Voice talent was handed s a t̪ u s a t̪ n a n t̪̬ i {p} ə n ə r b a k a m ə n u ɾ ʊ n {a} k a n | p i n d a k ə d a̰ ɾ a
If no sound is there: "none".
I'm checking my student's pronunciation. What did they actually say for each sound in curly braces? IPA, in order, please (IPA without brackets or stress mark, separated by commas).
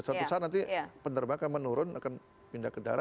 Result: p, a